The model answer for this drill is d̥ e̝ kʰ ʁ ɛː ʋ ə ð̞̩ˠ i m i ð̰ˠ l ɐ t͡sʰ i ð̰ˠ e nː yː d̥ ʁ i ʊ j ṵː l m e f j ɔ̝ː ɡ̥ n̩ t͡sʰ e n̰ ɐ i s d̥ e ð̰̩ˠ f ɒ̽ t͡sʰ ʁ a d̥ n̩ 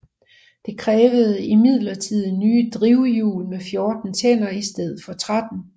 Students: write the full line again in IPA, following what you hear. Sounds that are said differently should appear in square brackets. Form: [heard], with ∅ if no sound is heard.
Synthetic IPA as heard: d̥ e̝ kʰ ʁ ɛː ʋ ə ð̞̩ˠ i m i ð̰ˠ l ɐ t͡sʰ i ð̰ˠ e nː yː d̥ ʁ i ʊ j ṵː l m e f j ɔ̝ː [d̥] n̩ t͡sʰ e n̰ ɐ i s d̥ e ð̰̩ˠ f ɒ̽ t͡sʰ ʁ a d̥ n̩

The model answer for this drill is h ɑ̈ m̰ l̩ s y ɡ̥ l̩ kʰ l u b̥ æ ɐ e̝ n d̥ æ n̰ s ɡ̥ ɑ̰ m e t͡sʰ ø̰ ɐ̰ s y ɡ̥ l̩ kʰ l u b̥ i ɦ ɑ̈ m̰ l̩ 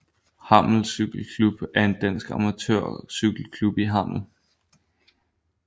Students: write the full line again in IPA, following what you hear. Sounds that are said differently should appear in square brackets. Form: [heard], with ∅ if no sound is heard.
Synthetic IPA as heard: h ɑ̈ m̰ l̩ s y ɡ̥ l̩ kʰ l u b̥ æ ɐ e̝ n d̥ æ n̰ s ɡ̥ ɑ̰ m [æ] t͡sʰ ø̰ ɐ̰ s y ɡ̥ l̩ kʰ l u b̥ i ɦ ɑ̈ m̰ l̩

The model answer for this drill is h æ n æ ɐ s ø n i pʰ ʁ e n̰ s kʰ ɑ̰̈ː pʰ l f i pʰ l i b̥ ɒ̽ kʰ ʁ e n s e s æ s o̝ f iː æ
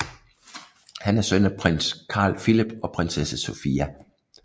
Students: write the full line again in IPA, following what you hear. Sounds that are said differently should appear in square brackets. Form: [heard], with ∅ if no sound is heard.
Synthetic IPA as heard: h æ n æ ɐ s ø n [æ] pʰ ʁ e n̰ s kʰ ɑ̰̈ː [∅] l f i [∅] l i b̥ ɒ̽ [pʰ] ʁ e n s e s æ s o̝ f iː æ

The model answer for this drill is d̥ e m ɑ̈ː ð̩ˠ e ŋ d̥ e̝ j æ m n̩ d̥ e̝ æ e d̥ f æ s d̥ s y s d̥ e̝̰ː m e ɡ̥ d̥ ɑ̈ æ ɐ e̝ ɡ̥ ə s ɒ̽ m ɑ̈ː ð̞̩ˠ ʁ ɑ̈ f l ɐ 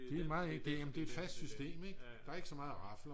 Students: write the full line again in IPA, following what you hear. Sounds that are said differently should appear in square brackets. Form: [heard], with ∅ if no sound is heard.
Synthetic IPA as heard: d̥ e m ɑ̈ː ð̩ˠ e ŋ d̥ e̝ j æ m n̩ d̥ e̝ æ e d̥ f æ s d̥ s y s d̥ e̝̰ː m e ɡ̥ d̥ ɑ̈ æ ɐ e̝ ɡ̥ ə s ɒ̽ m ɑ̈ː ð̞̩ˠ ʁ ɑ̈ f l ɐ

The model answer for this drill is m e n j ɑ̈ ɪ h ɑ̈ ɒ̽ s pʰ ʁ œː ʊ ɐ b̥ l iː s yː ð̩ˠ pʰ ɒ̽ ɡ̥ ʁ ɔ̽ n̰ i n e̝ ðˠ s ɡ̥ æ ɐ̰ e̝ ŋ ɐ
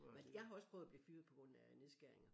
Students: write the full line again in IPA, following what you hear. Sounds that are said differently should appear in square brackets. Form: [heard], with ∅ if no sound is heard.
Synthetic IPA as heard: m e n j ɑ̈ ɪ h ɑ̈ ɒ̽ s pʰ ʁ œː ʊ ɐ b̥ l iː [f] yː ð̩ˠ pʰ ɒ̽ ɡ̥ ʁ ɔ̽ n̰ [æ] n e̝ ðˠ s ɡ̥ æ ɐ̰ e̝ ŋ ɐ

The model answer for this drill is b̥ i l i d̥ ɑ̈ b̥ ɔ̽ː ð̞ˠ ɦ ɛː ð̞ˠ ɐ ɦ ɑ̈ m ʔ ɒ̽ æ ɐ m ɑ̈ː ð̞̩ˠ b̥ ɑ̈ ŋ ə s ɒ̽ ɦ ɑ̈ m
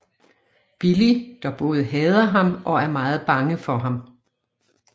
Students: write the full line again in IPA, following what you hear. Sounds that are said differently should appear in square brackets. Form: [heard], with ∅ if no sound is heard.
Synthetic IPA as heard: b̥ i l i d̥ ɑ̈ b̥ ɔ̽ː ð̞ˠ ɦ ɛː ð̞ˠ ɐ ɦ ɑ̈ m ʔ ɒ̽ æ ɐ m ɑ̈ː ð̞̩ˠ b̥ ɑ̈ ŋ ə [f] ɒ̽ ɦ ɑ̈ m

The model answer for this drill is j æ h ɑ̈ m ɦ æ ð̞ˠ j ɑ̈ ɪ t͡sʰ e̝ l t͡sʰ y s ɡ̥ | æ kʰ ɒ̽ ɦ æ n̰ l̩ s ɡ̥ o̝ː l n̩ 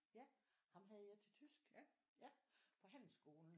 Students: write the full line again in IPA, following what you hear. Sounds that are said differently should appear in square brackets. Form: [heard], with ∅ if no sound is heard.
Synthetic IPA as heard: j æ h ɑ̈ m ɦ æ ð̞ˠ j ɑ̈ ɪ t͡sʰ e̝ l t͡sʰ y s ɡ̥ | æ [pʰ] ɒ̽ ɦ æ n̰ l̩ s ɡ̥ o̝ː l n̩

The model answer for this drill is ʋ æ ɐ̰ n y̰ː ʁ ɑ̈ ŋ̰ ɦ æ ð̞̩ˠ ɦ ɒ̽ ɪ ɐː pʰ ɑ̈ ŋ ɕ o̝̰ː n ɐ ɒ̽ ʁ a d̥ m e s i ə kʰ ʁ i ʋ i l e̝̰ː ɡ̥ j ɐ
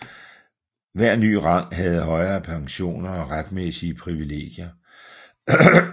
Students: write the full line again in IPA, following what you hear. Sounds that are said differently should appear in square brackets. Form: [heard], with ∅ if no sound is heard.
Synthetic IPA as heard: ʋ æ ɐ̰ n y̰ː ʁ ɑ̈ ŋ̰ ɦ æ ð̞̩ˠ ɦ ɒ̽ ɪ ɐː pʰ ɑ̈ ŋ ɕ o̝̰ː n ɐ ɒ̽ ʁ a d̥ m e s i ə [pʰ] ʁ i ʋ i l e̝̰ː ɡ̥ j ɐ

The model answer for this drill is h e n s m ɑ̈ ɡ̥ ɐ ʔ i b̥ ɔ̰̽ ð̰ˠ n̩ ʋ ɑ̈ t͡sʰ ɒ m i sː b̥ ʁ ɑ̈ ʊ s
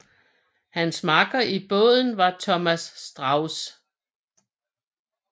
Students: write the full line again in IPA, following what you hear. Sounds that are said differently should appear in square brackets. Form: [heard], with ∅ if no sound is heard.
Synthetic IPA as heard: h [æ] n s m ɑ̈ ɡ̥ ɐ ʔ i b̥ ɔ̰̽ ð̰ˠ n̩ ʋ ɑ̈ t͡sʰ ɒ m [æ] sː [d̥] ʁ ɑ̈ ʊ s

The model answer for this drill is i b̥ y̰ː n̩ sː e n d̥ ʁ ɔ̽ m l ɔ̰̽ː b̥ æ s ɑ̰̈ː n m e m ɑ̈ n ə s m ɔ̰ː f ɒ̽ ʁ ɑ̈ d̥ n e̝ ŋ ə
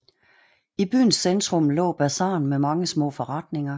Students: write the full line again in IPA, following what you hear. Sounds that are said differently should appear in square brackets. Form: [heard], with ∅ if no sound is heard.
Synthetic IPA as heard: i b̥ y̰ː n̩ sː e n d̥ ʁ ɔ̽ m l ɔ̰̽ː b̥ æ s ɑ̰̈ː n m e m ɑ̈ [ŋ] ə s m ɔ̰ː f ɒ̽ ʁ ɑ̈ d̥ n e̝ ŋ [ɐ]

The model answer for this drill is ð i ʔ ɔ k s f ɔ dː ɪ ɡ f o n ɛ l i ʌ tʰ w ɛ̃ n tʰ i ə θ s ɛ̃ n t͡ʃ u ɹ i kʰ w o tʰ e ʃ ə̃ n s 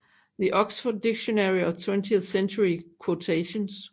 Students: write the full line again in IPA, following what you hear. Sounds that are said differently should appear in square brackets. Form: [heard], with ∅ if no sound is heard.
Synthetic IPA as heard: ð i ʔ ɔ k s f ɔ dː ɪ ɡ [ʃ] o n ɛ [ɹ] i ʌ tʰ w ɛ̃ n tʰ i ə θ s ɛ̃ n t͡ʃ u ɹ i kʰ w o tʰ e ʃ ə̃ n s

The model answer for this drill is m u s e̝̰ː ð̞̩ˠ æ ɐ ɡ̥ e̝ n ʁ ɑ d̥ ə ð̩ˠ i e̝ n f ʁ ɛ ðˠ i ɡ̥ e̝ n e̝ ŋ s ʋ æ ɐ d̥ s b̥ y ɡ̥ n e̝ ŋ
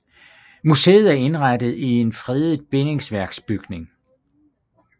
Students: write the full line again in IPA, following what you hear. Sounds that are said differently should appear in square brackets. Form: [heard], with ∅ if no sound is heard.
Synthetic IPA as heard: m u s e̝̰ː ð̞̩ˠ æ ɐ [∅] e̝ n ʁ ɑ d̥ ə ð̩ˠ i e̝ n f ʁ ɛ ðˠ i [b̥] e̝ n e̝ ŋ s ʋ æ ɐ [ɡ̥] s b̥ y ɡ̥ n e̝ ŋ

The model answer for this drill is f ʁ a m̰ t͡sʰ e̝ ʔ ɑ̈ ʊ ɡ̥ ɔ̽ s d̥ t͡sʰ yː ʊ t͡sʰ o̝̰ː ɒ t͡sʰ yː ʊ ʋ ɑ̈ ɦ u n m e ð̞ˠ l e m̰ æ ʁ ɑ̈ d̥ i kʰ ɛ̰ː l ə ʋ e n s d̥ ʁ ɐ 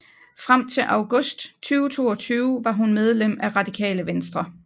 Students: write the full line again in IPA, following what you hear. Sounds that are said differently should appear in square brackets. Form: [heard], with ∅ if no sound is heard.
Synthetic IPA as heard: f ʁ a m̰ t͡sʰ e̝ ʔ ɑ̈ ʊ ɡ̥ ɔ̽ s d̥ t͡sʰ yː ʊ t͡sʰ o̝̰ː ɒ t͡sʰ yː ʊ ʋ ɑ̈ ɦ u n m e ð̞ˠ l e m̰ æ ʁ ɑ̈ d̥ i kʰ ɛ̰ː l ə ʋ e n s d̥ ʁ ɐ

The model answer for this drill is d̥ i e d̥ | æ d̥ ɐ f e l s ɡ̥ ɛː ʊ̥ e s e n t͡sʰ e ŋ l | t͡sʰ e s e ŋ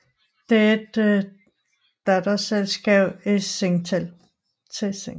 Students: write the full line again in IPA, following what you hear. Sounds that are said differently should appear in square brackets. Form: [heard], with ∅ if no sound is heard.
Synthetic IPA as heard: d̥ [e] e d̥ | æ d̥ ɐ [s] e l s ɡ̥ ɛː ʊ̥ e s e [ŋ] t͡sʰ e [∅] l | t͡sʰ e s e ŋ

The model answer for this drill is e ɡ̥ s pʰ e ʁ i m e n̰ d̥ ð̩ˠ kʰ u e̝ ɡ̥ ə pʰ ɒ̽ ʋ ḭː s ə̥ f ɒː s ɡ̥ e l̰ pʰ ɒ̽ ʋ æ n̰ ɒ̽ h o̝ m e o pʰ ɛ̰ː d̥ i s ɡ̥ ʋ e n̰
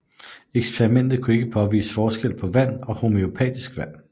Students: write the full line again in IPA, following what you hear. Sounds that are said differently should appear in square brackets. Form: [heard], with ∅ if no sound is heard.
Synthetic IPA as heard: e ɡ̥ s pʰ e ʁ i m e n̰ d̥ ð̩ˠ kʰ u e̝ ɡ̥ ə pʰ ɒ̽ ʋ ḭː s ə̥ f ɒː s ɡ̥ e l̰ pʰ ɒ̽ ʋ æ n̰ ɒ̽ h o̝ m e o pʰ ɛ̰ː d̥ i s ɡ̥ ʋ [æ] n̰

